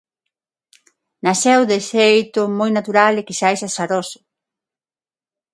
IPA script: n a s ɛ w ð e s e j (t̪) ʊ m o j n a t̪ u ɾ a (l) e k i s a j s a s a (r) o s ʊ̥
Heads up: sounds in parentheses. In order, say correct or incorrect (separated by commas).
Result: correct, correct, incorrect